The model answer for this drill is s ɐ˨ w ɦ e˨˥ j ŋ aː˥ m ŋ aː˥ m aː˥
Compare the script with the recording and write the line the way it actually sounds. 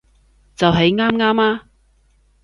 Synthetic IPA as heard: t͡s ɐ˨ w ɦ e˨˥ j ŋ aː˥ m ŋ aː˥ m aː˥